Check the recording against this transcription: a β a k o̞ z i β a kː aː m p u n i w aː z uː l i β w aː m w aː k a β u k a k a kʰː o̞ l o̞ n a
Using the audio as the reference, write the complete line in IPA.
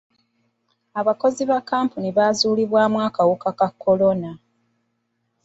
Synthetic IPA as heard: a β a k o̞ z i β a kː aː m p u n i β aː z uː l i β w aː m w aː k a w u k a k a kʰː o̞ l o̞ n a